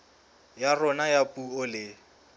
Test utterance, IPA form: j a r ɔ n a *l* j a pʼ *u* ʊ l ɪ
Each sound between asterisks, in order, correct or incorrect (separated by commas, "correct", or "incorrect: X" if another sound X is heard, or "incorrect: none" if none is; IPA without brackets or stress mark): incorrect: none, correct